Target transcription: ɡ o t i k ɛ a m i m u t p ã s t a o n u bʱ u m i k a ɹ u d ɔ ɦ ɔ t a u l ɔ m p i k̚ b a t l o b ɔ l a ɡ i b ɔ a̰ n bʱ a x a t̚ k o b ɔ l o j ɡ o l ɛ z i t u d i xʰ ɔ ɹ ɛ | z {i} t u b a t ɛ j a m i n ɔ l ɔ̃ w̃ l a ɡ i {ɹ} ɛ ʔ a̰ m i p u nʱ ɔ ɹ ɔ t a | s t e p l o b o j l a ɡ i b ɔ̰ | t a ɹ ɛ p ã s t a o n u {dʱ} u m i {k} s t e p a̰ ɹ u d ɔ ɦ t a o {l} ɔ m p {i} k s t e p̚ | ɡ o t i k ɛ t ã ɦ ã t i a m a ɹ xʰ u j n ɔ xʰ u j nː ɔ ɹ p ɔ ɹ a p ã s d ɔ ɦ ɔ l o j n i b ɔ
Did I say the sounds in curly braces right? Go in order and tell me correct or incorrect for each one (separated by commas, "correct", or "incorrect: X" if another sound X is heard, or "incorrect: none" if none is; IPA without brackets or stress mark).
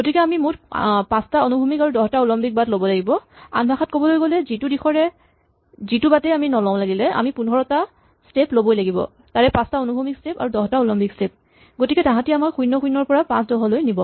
correct, incorrect: l, incorrect: bʱ, correct, correct, correct